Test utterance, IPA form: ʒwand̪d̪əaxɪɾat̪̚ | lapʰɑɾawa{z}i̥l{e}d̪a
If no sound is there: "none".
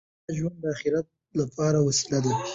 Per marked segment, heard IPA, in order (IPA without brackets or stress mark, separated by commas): s, a